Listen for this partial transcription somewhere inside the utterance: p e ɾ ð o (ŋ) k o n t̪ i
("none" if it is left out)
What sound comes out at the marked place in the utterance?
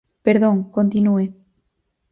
ŋ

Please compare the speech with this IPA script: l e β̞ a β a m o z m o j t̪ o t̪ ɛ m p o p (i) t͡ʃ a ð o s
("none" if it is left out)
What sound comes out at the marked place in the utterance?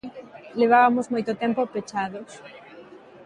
e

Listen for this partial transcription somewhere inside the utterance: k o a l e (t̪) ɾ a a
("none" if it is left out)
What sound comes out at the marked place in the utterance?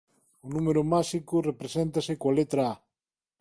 t̪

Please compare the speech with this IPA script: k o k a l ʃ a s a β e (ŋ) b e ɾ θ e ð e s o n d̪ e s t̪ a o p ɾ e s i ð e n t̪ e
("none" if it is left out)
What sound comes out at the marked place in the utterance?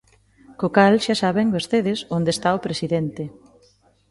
ŋ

